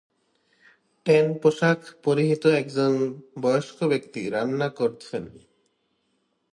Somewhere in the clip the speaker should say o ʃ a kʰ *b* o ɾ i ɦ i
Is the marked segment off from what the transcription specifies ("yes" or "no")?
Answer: yes